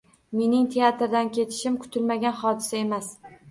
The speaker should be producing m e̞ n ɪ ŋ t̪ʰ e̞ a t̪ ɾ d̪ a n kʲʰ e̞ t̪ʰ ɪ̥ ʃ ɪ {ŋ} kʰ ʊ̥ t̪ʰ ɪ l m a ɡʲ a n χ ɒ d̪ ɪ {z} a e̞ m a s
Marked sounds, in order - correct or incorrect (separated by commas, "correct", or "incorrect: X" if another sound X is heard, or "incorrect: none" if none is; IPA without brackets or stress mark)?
incorrect: m, incorrect: s